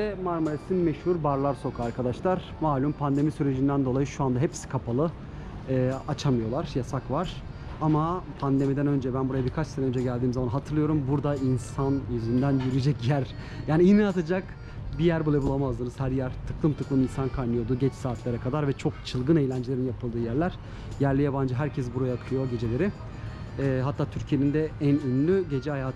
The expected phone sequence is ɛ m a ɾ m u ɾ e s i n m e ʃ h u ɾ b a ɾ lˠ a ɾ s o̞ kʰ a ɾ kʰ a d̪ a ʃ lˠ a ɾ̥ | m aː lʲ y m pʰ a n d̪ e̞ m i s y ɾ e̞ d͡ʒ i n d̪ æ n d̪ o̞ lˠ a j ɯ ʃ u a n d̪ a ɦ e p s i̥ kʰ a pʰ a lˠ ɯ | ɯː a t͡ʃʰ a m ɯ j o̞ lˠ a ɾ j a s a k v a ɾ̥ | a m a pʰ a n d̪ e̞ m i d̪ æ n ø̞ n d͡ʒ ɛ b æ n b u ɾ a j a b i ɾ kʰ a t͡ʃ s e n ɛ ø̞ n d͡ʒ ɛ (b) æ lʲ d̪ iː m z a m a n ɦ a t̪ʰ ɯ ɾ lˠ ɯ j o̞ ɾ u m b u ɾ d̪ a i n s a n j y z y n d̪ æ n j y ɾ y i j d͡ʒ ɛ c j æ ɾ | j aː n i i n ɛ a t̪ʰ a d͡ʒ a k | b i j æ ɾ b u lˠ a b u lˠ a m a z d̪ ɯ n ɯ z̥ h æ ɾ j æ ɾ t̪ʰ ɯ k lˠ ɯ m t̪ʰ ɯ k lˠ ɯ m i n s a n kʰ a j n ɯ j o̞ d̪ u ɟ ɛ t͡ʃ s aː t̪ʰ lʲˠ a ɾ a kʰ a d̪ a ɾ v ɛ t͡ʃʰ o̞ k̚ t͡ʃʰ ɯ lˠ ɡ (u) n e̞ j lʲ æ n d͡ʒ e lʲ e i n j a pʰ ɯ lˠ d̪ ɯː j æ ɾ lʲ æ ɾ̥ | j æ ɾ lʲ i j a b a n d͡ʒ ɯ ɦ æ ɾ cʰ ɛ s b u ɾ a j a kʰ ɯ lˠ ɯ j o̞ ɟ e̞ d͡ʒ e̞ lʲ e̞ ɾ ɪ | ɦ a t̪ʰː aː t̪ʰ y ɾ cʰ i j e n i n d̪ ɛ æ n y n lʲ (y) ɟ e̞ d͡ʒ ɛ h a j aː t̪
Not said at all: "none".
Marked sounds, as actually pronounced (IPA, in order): ɟ, ɯ, y

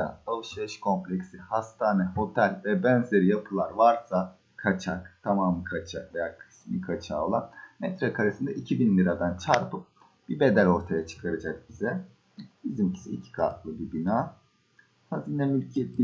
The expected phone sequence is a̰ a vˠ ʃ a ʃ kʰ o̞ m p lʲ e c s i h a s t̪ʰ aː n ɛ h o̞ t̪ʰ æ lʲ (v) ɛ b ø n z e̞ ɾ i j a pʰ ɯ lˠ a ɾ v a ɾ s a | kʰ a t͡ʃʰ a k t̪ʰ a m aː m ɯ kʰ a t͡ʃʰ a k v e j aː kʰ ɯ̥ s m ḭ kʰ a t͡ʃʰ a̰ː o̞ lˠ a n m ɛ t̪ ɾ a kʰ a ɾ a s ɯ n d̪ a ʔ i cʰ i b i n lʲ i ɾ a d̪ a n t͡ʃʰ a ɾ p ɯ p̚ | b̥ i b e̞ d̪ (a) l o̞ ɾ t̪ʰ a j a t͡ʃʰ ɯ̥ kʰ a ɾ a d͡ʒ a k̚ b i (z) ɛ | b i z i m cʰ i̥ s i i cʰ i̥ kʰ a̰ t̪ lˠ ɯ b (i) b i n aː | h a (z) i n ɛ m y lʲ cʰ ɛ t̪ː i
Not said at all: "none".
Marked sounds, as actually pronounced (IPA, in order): v, æ, z, i, z

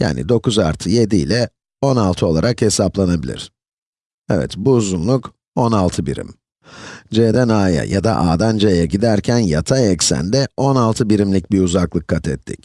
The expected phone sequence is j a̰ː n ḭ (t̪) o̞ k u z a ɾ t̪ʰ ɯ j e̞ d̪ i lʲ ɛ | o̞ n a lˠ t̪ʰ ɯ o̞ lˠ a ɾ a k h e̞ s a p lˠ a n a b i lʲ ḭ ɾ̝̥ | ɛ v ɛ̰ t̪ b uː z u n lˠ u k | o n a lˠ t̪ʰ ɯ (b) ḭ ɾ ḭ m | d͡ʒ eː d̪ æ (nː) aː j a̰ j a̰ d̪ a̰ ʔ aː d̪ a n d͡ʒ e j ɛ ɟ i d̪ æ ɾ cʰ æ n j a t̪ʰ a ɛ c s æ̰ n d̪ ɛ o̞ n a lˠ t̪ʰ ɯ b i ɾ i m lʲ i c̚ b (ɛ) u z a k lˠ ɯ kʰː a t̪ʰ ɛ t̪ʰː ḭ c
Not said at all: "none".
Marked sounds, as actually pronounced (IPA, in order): d̪, b, n, i

